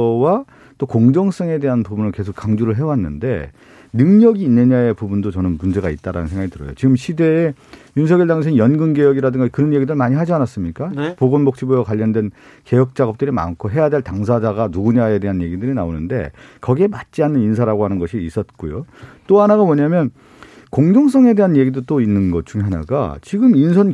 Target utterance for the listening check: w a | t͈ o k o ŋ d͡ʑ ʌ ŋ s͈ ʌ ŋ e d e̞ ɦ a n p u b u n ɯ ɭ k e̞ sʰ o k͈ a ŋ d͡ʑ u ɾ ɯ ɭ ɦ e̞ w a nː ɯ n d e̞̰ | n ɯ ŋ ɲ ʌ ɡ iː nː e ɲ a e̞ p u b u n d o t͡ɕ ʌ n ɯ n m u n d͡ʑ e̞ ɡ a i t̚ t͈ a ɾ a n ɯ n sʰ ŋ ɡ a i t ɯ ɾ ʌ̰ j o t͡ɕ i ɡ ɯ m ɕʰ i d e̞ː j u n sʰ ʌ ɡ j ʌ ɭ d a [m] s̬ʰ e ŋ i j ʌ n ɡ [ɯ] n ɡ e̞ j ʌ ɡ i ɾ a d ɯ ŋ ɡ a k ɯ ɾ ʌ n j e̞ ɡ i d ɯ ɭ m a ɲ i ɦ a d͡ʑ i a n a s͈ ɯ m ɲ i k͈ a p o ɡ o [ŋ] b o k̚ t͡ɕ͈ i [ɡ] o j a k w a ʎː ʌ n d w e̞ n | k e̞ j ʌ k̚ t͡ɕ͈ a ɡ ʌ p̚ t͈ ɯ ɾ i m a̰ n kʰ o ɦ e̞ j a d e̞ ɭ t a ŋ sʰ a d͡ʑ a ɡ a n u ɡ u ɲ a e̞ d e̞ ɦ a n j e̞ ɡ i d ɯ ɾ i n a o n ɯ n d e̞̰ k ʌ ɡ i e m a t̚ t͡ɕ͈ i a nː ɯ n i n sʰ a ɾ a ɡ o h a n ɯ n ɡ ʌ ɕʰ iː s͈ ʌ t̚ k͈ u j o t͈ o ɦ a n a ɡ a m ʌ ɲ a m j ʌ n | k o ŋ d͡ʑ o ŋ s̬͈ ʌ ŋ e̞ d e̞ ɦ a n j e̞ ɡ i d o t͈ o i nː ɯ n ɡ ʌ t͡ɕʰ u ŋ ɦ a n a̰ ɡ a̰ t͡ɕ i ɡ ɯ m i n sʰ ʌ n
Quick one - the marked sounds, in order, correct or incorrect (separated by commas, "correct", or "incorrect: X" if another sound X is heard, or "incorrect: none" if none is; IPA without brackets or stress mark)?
incorrect: ŋ, correct, incorrect: n, incorrect: b